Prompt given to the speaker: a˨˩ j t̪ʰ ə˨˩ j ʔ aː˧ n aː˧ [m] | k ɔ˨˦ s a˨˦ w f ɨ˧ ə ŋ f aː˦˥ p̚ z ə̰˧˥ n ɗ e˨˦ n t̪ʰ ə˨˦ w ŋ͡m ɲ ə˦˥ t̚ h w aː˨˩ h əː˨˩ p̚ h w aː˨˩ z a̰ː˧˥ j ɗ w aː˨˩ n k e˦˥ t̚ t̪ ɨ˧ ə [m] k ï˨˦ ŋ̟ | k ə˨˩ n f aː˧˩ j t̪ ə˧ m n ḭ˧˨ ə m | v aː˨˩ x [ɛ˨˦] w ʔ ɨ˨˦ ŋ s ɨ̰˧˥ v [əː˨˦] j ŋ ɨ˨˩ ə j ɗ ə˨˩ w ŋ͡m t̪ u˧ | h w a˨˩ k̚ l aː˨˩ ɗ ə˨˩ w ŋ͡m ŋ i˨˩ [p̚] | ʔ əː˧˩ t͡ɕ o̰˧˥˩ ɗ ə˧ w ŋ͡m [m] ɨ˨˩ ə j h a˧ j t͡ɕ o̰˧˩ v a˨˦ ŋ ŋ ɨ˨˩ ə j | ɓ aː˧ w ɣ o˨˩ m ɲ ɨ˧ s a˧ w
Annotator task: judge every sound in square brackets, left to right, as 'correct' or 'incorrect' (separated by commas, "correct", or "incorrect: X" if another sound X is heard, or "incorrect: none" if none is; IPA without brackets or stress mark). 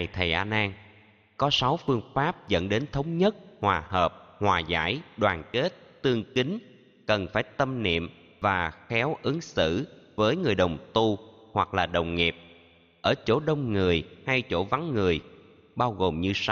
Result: incorrect: ŋ, incorrect: ŋ, correct, correct, correct, incorrect: ŋ